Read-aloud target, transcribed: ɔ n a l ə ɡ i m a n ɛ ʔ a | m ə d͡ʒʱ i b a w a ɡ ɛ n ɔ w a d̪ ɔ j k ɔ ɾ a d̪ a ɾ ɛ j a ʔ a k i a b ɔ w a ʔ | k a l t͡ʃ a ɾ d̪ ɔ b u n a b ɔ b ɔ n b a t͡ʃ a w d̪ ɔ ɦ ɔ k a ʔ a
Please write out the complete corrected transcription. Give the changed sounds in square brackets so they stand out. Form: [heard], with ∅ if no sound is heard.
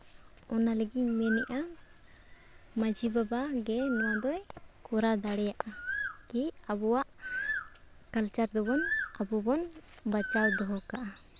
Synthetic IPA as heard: ɔ n a l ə ɡ i m [ɛ] n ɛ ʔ a | m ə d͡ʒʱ i b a [b] a ɡ ɛ n ɔ w a d̪ ɔ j k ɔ ɾ a d̪ a [ɽ] ɛ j a ʔ a k i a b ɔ w a ʔ | k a l t͡ʃ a ɾ d̪ ɔ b [ɔ] n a b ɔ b ɔ n b a t͡ʃ a w d̪ ɔ ɦ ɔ k a ʔ a